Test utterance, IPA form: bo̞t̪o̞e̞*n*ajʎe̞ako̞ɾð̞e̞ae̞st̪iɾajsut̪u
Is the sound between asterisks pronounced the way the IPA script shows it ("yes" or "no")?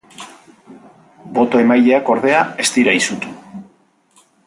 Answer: no